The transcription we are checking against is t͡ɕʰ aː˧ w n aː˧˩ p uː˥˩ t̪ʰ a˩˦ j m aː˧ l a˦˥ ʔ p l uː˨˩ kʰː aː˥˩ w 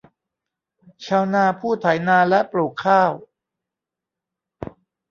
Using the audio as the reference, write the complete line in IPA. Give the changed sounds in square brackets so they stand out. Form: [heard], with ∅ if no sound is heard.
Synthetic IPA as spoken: t͡ɕʰ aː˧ w n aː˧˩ [pʰ] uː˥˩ t̪ʰ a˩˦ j [n] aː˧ l [ɛ˦˥] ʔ p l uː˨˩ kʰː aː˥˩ w